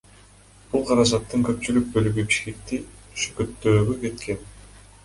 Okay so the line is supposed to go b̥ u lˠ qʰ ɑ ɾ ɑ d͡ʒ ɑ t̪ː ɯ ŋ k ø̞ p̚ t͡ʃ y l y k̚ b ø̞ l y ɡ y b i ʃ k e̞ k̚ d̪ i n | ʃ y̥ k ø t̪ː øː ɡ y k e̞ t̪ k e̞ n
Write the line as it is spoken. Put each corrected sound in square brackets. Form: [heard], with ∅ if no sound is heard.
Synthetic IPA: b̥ u lˠ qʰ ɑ ɾ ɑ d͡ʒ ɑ t̪ː ɯ ŋ k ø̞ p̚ t͡ʃ y l y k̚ b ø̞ l y ɡ y b i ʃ k e̞ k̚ [t̪] i [∅] | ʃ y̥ k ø t̪ː øː ɡ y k e̞ t̪ k e̞ n